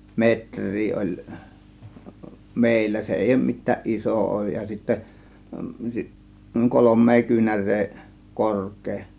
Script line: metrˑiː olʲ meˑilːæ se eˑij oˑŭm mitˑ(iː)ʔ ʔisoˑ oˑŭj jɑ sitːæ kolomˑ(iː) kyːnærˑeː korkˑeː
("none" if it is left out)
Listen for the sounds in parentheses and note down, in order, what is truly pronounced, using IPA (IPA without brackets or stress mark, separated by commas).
æː, eː